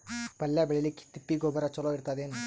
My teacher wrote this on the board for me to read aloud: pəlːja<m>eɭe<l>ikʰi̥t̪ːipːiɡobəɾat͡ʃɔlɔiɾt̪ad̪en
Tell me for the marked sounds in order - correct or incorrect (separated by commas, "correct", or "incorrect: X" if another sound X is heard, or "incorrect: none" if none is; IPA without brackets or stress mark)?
incorrect: b, correct